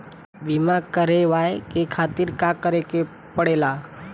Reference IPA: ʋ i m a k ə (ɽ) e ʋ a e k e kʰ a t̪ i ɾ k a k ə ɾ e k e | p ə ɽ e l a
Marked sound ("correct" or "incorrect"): incorrect